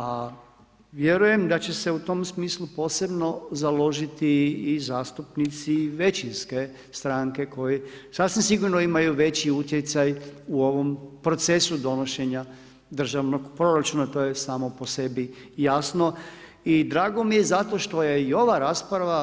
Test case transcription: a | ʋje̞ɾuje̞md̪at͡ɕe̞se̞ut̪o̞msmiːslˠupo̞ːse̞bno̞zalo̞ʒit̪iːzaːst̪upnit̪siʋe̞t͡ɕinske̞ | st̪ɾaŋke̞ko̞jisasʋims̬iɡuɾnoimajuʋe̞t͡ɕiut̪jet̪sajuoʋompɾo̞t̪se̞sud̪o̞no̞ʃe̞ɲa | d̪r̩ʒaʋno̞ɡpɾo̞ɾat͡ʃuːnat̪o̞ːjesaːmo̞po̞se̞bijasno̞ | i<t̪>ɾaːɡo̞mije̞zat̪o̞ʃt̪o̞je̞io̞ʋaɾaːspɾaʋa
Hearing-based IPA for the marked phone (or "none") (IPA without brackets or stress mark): d̪